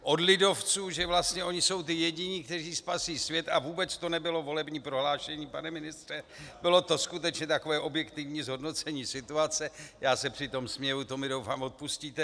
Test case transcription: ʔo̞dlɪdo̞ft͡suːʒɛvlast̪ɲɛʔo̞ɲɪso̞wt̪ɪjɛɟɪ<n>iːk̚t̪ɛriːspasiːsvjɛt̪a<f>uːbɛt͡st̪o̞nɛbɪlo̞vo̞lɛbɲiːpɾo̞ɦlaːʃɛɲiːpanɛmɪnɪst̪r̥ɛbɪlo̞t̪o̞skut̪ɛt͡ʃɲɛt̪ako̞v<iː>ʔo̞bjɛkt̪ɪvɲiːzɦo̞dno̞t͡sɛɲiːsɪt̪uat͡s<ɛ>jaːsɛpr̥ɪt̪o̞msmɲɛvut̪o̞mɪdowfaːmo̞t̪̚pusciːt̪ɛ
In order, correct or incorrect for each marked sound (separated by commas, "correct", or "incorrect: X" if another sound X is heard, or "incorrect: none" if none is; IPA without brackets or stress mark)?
incorrect: ɲ, incorrect: v, incorrect: ɛː, correct